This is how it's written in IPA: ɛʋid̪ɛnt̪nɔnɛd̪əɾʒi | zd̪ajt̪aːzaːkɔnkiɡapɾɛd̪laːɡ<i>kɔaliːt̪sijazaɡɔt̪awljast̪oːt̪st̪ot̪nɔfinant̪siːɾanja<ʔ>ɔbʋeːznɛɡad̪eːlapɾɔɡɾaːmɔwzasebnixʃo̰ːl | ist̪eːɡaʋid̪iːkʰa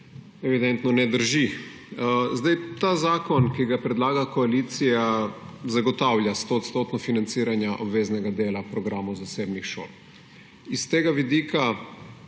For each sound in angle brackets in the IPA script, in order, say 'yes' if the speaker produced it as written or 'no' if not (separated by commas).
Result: no, yes